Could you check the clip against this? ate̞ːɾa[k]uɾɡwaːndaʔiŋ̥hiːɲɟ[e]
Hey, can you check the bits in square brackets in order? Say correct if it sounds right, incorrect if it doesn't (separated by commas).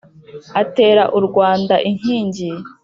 incorrect, incorrect